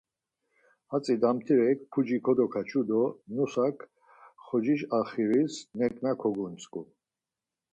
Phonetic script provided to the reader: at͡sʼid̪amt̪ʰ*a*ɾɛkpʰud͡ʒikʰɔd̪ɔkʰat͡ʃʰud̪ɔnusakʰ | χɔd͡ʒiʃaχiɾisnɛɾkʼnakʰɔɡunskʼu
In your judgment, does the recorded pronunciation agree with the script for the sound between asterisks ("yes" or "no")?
no